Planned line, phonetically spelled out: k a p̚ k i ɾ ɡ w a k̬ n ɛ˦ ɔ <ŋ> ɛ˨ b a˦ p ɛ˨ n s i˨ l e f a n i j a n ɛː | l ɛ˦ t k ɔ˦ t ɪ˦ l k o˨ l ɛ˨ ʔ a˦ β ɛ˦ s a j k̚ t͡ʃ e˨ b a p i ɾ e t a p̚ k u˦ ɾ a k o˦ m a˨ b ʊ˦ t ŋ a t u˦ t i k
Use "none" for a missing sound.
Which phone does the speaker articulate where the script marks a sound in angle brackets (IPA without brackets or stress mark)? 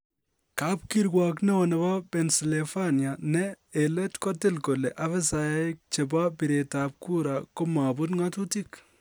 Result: n